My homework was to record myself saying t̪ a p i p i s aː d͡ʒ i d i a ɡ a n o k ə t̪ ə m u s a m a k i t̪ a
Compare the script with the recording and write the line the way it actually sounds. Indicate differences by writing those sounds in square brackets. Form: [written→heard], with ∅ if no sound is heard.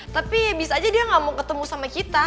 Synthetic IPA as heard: t̪ a p i [p→b] i s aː d͡ʒ [i→a] d i a [ɡ→ŋ] a [n→m] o k ə t̪ ə m u s a m a k i t̪ a